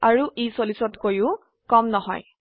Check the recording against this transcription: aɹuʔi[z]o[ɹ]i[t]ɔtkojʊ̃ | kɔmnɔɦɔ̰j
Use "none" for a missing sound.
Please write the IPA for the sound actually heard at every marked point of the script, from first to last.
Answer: s, l, s

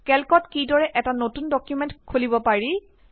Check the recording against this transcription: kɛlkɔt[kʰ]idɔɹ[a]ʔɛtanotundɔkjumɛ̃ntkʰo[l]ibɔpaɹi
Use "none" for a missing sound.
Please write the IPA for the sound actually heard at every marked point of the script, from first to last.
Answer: k, ɛ, l

